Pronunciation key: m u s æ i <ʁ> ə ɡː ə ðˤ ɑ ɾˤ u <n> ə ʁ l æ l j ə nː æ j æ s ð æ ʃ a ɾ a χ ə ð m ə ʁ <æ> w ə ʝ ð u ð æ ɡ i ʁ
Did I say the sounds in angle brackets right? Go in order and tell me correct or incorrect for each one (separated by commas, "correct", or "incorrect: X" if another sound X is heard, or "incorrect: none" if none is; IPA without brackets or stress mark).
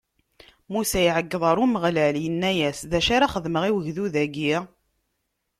incorrect: ʕ, incorrect: m, incorrect: i